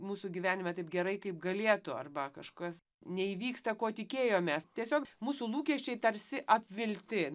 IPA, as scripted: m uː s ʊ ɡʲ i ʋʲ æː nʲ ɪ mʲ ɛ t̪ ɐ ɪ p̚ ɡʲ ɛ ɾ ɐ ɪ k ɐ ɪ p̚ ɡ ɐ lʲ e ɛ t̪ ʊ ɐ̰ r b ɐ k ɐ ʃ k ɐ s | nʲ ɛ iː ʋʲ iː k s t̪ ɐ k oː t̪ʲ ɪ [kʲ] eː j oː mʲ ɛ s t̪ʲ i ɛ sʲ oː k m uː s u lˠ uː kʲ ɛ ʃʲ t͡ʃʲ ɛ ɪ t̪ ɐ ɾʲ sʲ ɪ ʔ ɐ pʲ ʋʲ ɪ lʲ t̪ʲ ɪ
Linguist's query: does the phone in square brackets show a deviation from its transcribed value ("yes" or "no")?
no